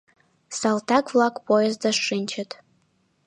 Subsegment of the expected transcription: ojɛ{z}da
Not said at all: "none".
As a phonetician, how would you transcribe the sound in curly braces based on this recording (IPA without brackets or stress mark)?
z